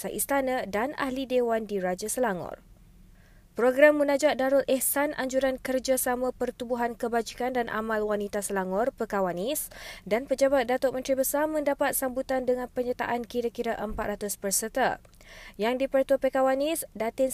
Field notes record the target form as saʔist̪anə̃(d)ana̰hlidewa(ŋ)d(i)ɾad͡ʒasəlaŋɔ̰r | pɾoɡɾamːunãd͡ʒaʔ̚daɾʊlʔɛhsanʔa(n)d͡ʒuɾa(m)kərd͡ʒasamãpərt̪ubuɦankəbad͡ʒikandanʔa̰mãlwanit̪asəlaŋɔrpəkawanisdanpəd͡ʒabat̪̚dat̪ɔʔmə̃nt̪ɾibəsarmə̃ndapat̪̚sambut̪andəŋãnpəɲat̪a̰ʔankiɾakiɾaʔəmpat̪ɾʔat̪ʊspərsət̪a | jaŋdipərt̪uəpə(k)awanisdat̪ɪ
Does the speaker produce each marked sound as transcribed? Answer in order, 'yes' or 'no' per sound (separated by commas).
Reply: yes, no, yes, no, no, yes